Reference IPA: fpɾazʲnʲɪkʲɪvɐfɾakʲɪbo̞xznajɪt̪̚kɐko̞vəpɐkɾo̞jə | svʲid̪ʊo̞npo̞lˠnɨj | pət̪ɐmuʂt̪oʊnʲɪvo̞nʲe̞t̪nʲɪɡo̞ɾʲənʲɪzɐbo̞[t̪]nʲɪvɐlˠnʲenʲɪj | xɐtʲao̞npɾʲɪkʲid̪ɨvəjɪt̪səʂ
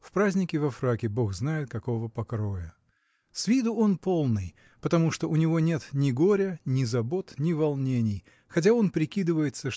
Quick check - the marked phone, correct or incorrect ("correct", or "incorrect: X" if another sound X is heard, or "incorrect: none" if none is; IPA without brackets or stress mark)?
correct